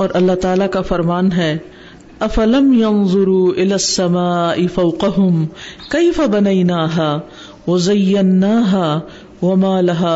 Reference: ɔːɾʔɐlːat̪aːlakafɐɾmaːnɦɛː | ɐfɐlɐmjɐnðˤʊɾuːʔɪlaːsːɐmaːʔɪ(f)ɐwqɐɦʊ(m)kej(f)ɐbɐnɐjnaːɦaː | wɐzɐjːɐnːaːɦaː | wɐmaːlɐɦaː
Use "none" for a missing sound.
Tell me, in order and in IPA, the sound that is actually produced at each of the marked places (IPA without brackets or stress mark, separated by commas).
f, m, f